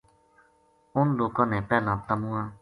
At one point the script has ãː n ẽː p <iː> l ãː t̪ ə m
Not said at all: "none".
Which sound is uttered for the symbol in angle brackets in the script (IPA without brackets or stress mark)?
ɛː